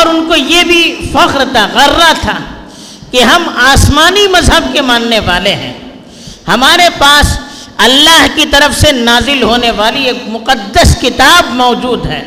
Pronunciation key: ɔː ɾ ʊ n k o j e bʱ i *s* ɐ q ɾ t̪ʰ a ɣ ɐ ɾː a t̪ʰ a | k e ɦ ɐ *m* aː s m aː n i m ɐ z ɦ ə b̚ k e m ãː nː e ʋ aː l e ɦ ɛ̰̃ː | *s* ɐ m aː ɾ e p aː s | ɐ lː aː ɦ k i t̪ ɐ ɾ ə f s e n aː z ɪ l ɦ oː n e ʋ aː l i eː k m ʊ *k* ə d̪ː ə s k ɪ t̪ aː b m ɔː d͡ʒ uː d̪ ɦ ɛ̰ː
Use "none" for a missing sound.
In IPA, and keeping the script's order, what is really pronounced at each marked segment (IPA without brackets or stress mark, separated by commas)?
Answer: f, m, h, q